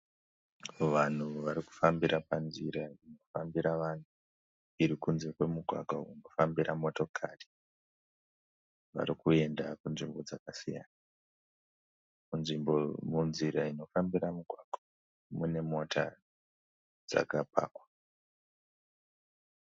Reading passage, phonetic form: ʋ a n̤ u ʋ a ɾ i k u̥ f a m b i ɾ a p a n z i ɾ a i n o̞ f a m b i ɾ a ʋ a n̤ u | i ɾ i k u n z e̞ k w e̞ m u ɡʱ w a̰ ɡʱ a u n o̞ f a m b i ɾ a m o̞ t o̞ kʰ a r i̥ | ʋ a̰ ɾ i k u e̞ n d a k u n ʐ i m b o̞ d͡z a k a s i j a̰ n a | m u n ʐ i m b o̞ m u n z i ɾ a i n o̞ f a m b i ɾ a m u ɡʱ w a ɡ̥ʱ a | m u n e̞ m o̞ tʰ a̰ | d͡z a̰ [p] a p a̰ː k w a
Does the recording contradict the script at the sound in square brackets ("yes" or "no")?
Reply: yes